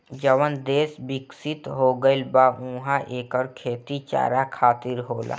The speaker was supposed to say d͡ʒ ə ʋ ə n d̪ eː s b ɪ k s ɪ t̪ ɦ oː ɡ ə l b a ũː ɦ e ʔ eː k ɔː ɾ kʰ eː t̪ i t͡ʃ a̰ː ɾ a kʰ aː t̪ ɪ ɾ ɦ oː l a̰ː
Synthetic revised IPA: d͡ʒ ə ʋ ə n d̪ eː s b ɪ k s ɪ t̪ ɦ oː ɡ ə l b a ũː ɦ a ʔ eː k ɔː ɾ kʰ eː t̪ i t͡ʃ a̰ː ɾ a kʰ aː t̪ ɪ ɾ ɦ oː l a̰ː